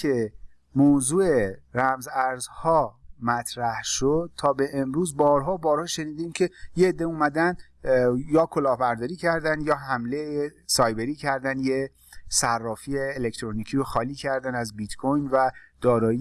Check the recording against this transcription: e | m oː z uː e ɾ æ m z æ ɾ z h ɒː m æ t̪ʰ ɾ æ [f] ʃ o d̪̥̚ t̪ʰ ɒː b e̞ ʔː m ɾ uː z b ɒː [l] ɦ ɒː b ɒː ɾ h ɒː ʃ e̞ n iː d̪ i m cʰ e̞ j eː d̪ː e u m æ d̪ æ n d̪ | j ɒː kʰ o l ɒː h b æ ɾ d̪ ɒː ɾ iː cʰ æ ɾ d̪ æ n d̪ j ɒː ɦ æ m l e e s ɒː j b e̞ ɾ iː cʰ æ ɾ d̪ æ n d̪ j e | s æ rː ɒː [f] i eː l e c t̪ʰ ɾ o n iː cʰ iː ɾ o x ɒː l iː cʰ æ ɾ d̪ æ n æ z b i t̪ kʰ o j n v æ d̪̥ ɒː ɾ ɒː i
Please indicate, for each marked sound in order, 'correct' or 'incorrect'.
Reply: incorrect: h, incorrect: ɾ, correct

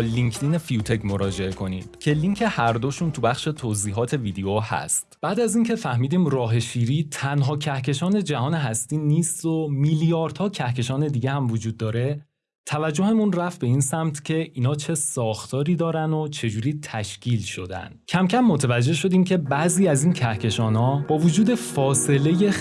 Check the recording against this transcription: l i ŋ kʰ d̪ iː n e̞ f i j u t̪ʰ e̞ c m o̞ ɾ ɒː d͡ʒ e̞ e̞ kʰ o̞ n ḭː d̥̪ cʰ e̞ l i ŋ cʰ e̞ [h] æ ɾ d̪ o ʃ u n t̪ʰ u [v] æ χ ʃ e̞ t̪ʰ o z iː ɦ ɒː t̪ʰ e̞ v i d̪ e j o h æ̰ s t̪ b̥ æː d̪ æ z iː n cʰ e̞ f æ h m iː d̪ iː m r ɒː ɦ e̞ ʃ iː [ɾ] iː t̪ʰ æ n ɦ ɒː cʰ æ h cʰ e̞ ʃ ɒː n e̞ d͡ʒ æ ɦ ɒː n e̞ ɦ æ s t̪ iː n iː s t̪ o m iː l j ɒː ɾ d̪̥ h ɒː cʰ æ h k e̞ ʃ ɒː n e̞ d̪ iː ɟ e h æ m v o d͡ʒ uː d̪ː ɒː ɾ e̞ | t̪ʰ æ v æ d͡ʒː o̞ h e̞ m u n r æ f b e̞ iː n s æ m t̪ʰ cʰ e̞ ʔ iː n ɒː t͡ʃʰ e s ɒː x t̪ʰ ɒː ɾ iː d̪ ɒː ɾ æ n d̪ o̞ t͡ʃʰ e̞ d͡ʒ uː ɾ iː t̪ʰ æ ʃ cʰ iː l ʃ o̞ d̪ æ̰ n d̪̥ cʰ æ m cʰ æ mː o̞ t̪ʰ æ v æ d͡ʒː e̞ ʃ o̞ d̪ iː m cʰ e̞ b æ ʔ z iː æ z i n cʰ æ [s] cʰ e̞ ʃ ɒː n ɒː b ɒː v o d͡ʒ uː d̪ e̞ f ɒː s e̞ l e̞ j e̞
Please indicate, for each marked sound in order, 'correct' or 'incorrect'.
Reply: correct, incorrect: b, correct, incorrect: h

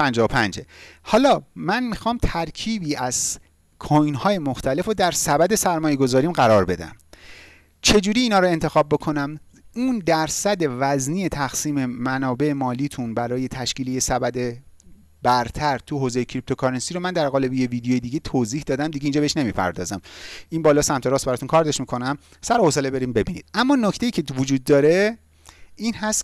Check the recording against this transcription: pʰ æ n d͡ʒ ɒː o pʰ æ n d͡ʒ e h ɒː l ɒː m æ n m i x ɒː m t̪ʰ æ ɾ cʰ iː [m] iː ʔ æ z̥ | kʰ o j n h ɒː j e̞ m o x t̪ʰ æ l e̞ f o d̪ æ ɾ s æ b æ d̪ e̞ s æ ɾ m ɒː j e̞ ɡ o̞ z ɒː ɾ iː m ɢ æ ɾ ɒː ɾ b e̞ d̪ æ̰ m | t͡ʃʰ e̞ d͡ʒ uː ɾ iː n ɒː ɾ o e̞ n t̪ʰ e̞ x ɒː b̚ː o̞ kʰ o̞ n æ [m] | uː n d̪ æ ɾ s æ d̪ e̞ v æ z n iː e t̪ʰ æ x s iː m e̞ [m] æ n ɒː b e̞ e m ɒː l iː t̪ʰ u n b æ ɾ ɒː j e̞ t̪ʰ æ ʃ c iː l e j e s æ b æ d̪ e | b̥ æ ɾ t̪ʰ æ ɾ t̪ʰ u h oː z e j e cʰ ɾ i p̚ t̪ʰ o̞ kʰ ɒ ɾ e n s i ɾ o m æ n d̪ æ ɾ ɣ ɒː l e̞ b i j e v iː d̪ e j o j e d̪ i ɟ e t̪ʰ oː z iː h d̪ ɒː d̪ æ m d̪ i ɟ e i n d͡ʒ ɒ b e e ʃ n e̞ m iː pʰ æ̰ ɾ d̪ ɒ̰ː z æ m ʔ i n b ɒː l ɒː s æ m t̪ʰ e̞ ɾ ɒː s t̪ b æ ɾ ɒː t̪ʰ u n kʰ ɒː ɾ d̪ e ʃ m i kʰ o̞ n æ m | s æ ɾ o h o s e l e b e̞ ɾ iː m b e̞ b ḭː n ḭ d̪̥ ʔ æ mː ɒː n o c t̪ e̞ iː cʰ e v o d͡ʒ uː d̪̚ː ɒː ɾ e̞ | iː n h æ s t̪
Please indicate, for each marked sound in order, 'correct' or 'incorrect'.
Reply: incorrect: b, correct, correct

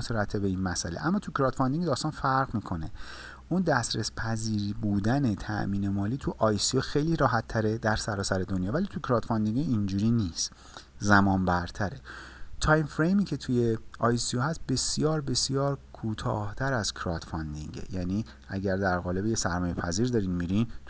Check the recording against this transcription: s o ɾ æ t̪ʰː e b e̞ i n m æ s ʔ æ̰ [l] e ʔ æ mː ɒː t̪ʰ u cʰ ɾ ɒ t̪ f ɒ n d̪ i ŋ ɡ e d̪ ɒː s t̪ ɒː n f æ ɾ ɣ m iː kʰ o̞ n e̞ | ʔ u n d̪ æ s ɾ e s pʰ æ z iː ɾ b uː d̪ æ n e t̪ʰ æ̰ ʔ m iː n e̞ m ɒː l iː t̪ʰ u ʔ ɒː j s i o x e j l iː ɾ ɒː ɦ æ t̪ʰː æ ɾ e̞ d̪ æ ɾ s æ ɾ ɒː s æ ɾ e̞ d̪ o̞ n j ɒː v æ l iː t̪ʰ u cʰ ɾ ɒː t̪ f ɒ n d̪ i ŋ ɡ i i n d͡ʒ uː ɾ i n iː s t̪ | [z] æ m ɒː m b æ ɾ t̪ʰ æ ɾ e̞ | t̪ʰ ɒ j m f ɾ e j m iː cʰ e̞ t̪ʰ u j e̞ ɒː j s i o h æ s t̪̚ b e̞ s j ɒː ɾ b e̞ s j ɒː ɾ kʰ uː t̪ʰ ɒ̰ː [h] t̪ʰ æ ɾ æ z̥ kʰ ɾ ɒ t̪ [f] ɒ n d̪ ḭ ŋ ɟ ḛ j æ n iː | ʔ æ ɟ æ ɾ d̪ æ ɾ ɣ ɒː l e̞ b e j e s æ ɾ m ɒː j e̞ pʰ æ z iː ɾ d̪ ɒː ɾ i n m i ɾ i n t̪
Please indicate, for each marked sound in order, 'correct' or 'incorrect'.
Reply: correct, correct, correct, correct

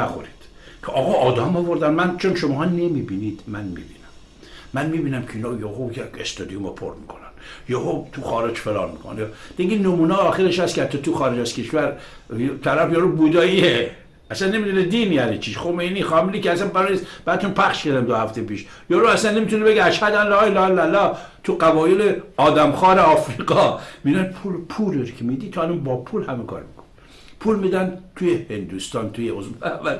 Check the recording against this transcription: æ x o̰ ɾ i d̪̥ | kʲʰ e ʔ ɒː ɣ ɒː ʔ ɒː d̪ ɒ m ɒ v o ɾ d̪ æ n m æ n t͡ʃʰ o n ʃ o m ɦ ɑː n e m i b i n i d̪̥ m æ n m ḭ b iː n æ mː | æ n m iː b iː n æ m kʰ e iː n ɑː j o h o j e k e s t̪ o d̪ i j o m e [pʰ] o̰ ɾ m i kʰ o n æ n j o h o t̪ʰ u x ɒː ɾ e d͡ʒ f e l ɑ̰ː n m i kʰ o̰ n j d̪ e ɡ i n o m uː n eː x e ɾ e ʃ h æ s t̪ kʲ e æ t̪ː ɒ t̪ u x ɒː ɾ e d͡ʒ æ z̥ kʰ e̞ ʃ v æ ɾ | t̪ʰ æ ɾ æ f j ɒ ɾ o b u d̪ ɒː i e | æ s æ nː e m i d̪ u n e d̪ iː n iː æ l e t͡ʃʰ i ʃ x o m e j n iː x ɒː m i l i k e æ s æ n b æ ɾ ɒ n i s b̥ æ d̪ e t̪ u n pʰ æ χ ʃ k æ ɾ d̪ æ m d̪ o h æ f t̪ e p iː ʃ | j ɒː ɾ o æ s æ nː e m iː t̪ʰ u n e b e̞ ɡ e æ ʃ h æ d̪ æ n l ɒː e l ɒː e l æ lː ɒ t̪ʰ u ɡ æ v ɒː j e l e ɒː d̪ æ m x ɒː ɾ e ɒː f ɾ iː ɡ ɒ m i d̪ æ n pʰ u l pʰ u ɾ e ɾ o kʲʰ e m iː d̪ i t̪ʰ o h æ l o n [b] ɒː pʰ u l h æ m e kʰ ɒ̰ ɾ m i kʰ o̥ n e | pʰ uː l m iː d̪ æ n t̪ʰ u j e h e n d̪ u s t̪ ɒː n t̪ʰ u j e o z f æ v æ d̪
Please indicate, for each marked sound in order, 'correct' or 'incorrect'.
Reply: correct, correct

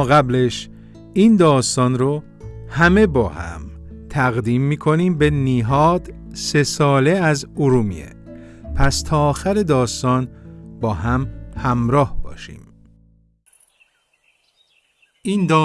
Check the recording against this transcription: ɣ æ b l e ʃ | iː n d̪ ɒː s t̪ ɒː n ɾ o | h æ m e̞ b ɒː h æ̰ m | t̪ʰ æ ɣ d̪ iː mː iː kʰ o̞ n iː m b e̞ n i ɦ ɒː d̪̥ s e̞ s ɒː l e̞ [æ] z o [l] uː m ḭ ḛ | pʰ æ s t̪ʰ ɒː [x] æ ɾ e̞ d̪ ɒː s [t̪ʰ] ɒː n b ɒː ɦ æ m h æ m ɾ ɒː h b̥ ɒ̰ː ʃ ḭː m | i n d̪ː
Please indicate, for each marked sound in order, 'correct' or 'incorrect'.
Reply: correct, incorrect: ɾ, correct, incorrect: t̪

